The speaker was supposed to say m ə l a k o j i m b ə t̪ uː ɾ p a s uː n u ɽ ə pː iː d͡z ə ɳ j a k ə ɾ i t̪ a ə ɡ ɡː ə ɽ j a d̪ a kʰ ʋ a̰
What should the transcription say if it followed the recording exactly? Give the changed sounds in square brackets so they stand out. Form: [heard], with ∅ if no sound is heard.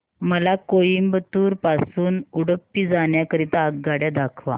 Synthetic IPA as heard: m ə l a k o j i m b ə t̪ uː ɾ p a s uː n u ɽ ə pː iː d͡z [a] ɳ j a k ə ɾ i t̪ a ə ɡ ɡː [a] ɽ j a d̪ a kʰ ʋ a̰